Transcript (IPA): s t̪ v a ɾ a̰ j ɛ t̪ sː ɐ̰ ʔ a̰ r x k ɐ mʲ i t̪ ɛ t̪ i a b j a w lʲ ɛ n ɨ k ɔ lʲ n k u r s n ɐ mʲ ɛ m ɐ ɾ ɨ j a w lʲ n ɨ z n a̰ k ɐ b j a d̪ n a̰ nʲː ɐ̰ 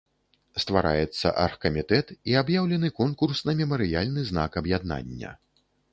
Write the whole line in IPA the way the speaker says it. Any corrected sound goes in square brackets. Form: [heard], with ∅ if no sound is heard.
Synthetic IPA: s t̪ v a ɾ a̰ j ɛ t̪ sː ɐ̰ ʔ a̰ r x k ɐ mʲ i t̪ ɛ t̪ i a b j a w lʲ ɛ n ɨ k ɔ [∅] n k u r s n ɐ mʲ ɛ m ɐ ɾ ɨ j a [∅] lʲ n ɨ z n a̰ k ɐ b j a d̪ n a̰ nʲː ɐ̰